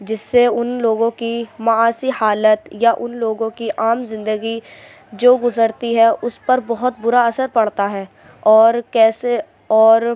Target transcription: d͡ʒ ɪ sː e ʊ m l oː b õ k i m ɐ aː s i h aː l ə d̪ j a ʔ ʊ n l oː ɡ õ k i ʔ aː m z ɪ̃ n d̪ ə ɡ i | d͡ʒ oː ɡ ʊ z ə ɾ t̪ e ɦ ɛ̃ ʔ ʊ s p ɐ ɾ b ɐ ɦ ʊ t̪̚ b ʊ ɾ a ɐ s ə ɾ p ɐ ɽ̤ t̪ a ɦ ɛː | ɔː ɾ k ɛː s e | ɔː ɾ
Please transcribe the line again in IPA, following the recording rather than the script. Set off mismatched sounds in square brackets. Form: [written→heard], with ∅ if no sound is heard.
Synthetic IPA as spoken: d͡ʒ ɪ sː e ʊ [m→n] l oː [b→ɡ] õ k i m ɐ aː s i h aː l ə [d̪→t̪] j a ʔ ʊ n l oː ɡ õ k i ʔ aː m z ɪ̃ n d̪ ə ɡ i | d͡ʒ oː ɡ ʊ z ə ɾ t̪ [e→i] ɦ [ɛ̃→ɛ] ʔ ʊ s p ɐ ɾ b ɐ ɦ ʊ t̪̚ b ʊ ɾ a ɐ s ə ɾ p ɐ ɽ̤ t̪ a ɦ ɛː | ɔː ɾ k ɛː s e | ɔː ɾ